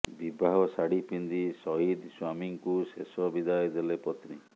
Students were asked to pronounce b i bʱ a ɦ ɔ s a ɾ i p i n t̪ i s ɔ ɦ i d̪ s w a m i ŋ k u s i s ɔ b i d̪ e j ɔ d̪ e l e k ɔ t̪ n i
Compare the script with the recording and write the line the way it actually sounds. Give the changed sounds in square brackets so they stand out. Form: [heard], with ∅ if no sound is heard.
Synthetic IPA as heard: b i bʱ a ɦ ɔ s a [ɽ] i p i n [d̪] i s ɔ ɦ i d̪ s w a m i ŋ k u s [e] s ɔ b i d̪ [a] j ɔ d̪ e l e [p] ɔ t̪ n i